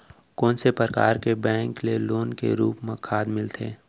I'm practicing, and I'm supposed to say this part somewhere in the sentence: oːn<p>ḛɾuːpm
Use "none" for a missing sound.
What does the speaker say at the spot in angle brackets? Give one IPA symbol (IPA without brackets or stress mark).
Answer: k